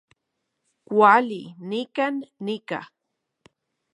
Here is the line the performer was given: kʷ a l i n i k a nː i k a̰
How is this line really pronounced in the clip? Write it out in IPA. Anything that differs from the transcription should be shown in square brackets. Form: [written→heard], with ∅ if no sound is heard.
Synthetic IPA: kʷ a l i n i k a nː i k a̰